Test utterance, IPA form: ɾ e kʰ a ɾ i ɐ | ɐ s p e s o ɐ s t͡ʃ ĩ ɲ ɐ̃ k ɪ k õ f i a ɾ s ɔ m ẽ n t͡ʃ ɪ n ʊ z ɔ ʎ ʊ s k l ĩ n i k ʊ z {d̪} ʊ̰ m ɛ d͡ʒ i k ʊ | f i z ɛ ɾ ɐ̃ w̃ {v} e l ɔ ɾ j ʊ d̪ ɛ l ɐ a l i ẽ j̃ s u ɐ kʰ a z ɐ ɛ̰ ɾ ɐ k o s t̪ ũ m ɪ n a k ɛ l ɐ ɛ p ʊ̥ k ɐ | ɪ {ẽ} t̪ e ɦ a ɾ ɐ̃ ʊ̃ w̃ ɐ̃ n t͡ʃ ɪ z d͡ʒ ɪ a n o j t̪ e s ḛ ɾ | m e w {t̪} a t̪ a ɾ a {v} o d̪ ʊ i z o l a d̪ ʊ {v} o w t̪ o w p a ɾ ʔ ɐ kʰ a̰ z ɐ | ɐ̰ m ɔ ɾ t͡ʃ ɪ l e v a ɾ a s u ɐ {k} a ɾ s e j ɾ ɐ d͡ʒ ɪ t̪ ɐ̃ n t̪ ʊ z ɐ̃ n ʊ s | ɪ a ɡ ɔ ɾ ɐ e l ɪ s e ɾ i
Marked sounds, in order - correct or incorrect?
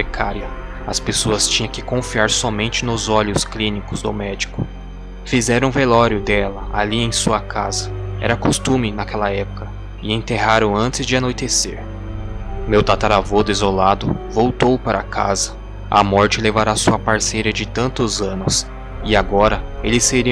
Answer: correct, correct, correct, correct, correct, correct, incorrect: p

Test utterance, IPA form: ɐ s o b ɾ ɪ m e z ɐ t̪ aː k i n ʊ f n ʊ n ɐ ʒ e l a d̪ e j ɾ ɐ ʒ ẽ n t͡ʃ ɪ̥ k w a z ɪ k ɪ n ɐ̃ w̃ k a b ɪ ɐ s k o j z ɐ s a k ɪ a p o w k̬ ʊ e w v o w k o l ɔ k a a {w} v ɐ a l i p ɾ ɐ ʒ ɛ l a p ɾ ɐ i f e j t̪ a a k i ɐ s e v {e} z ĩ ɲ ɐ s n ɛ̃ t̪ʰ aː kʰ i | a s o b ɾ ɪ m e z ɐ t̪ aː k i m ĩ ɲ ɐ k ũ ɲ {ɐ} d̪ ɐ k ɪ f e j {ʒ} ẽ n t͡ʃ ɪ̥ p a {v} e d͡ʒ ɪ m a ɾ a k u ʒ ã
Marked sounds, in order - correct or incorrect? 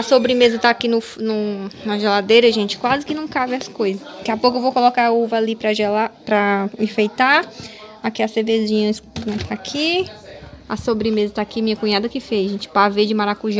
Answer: incorrect: u, correct, incorrect: a, correct, correct

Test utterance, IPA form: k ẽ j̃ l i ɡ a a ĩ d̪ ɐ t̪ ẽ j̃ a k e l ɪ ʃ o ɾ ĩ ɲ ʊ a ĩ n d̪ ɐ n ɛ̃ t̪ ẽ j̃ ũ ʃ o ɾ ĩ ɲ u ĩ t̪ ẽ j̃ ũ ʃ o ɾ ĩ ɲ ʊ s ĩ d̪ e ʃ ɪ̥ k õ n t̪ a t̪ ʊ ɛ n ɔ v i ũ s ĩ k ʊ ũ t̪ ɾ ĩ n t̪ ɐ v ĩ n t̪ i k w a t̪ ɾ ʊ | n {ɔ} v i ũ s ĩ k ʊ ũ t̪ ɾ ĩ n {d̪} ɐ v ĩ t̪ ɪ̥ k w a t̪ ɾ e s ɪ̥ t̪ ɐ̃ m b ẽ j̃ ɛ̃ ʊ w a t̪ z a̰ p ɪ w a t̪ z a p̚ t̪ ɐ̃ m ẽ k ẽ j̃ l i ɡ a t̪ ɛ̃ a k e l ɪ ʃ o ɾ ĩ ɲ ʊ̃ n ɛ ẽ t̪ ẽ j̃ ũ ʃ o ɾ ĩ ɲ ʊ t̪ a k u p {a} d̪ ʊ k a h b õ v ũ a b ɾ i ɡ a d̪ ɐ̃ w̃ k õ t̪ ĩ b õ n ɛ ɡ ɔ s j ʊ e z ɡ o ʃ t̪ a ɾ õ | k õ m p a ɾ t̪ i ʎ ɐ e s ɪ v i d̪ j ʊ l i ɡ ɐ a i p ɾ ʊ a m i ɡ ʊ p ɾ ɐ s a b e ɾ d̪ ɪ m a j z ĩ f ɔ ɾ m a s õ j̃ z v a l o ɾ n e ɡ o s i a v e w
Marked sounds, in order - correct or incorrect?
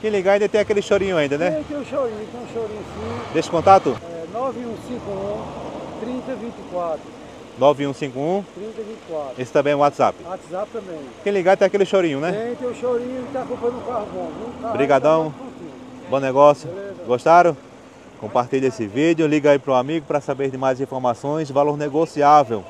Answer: correct, incorrect: t̪, incorrect: ɐ

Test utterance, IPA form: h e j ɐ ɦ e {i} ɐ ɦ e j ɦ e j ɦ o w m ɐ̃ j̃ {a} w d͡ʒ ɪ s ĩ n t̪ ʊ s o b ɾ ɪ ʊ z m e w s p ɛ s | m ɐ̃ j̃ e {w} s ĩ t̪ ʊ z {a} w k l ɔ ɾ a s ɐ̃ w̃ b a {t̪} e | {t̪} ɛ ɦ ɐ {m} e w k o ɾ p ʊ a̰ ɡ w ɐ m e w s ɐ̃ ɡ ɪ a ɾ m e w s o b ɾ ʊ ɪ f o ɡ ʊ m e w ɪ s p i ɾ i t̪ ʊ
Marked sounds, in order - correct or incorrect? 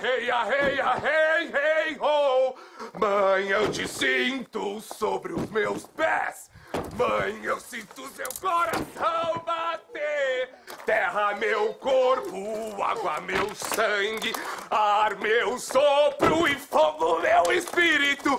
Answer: incorrect: j, incorrect: e, correct, incorrect: e, correct, correct, correct

